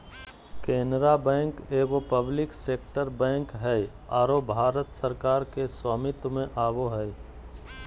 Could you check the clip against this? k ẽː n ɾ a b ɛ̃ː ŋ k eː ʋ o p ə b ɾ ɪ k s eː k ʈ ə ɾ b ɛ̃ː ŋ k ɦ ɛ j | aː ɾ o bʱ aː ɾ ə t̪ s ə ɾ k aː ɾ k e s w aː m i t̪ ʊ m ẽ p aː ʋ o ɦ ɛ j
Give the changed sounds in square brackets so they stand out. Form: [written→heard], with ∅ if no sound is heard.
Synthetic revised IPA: k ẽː n ɾ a b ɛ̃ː ŋ k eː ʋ o p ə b [ɾ→l] ɪ k s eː k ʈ ə ɾ b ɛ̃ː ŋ k ɦ ɛ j | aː ɾ o bʱ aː ɾ ə t̪ s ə ɾ k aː ɾ k e s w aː m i t̪ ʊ m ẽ [p→ʔ] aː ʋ o ɦ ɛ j